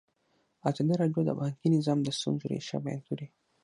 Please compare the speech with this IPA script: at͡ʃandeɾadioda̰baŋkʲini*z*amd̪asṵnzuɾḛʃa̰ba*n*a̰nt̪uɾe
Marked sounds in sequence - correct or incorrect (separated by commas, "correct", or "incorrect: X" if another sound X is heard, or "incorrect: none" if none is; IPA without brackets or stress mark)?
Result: correct, incorrect: none